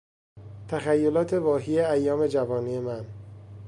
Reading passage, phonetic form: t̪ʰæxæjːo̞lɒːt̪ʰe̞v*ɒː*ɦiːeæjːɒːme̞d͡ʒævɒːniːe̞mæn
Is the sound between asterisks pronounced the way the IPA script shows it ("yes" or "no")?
yes